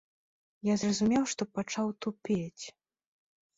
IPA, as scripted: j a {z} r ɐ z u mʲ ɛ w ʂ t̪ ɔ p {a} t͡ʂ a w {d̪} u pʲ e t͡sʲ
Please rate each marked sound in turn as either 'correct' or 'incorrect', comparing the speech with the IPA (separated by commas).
correct, correct, incorrect